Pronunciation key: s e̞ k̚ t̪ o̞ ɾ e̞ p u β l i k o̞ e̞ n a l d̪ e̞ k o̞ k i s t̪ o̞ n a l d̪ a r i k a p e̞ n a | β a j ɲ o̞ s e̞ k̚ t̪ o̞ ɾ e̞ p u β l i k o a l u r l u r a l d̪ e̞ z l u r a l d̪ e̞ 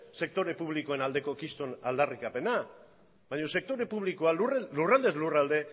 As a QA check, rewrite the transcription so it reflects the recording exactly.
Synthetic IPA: s e̞ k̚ t̪ o̞ ɾ e̞ p u β l i k o̞ e̞ n a l d̪ e̞ k o̞ k i s t̪ o̞ n a l d̪ a r i k a p e̞ n a | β a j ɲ o̞ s e̞ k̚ t̪ o̞ ɾ e̞ p u β l i k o a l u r l u r a l d̪ e̞ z l u r a l d̪ e̞